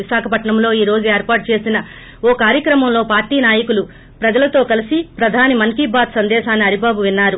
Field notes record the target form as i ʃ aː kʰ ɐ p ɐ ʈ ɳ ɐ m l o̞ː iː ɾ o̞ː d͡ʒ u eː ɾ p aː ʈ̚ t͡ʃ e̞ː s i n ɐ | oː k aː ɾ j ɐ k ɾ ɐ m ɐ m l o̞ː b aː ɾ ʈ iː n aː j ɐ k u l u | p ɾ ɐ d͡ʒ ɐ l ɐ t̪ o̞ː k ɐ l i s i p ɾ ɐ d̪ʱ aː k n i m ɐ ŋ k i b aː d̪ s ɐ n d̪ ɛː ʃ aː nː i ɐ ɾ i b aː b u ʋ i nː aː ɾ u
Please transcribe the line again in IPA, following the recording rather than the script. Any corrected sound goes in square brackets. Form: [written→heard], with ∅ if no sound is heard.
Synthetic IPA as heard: i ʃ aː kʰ ɐ p ɐ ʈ ɳ ɐ m l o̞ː iː ɾ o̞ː d͡ʒ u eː ɾ p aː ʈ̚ t͡ʃ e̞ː s i n ɐ | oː k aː ɾ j ɐ k ɾ ɐ m ɐ m l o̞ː [b→p] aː ɾ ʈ iː n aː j ɐ k u l u | p ɾ ɐ d͡ʒ ɐ l ɐ t̪ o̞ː k ɐ l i s i p ɾ ɐ d̪ʱ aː [k→∅] n i m ɐ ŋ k i b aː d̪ s ɐ n d̪ ɛː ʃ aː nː i ɐ ɾ i b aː b u ʋ i nː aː ɾ u